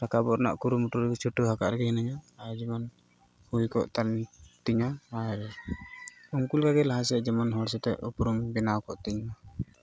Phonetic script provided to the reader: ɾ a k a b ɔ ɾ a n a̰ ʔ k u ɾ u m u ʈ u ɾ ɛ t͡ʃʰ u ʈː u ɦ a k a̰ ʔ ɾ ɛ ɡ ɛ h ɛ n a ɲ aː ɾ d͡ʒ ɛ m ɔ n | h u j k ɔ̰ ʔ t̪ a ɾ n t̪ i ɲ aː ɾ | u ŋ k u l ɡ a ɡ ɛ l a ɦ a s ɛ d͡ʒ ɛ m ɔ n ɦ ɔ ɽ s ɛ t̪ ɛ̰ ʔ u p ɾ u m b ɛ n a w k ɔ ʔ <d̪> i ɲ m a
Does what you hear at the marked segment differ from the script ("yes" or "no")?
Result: yes